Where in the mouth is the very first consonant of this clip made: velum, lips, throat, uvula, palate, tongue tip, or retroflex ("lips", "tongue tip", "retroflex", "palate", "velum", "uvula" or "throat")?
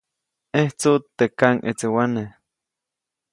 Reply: throat